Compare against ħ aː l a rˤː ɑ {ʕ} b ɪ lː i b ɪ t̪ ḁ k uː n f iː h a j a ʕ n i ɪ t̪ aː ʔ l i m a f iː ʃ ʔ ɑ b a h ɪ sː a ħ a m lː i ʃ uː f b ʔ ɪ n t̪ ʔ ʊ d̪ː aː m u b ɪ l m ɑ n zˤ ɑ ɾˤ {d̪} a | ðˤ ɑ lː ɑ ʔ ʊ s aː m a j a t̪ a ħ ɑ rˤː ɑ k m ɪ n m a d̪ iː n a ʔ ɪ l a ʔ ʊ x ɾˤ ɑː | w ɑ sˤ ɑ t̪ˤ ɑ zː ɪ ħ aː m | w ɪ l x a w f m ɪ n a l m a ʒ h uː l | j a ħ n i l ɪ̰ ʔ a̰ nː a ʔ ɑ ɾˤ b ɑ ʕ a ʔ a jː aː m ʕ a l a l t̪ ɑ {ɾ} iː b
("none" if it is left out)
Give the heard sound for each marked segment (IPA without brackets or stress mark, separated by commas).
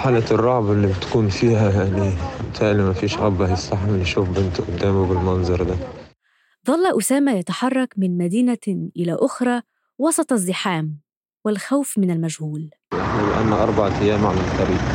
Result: ʕ, d̪, ɾ